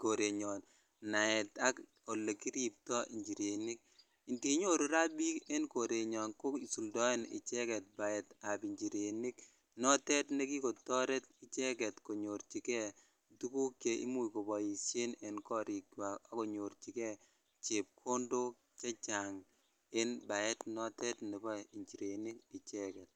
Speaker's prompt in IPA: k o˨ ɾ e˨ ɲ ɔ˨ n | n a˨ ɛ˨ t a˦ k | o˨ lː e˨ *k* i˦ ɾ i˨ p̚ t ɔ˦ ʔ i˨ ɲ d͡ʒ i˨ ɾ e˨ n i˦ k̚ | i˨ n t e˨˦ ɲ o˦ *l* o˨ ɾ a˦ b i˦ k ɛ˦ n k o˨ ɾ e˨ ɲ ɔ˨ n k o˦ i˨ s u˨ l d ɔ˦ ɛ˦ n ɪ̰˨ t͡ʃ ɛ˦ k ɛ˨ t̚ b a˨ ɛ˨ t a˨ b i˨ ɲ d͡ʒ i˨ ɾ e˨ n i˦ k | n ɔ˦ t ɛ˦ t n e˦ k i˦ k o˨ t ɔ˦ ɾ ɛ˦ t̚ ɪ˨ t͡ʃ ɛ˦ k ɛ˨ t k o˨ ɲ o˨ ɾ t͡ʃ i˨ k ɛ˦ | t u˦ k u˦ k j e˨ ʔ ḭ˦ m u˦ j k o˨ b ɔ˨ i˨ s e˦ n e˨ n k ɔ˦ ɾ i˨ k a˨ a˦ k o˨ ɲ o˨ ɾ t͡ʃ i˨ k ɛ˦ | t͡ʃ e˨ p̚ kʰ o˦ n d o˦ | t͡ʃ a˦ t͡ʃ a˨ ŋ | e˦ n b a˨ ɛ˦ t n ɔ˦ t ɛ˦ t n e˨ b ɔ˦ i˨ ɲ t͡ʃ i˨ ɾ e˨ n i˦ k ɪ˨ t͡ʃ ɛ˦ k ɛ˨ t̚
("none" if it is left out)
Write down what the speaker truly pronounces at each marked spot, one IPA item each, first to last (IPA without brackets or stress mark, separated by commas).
k, ɾ